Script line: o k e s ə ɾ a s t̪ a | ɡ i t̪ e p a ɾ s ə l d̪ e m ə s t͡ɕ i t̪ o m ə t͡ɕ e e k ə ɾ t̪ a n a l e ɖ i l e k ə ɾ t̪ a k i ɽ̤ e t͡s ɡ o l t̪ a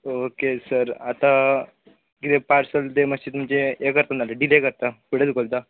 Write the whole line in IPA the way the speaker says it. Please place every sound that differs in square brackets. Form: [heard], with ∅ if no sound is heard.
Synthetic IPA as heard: o k e s ə ɾ a [∅] t̪ a | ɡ i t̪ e p a ɾ s ə l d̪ e m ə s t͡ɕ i t̪ [u] m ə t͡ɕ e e k ə ɾ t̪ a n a l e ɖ i l e k ə ɾ t̪ a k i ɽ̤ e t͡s ɡ o l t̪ a